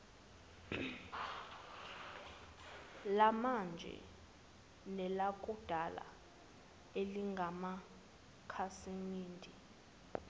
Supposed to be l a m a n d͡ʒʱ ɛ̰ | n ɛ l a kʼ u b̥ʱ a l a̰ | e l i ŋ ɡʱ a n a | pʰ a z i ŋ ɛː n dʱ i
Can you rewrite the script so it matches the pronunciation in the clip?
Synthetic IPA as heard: l a m a n d͡ʒʱ ɛ̰ | n ɛ l a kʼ u d̥ʱ a l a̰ | e l i ŋ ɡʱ a m a | kʰ a s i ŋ iː n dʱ i